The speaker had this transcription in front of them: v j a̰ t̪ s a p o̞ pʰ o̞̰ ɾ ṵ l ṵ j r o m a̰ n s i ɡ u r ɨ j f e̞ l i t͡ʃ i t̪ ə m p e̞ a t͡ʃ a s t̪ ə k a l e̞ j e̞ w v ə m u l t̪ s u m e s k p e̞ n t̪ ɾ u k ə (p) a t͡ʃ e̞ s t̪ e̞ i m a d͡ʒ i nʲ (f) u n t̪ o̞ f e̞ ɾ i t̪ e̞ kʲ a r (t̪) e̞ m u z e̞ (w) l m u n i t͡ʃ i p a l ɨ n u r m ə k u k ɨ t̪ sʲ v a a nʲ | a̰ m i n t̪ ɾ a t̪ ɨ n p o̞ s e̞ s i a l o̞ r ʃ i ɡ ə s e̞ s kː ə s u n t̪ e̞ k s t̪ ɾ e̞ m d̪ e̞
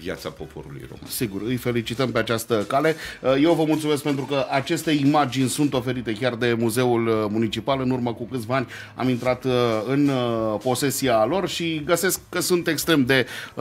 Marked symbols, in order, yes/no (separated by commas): no, no, no, no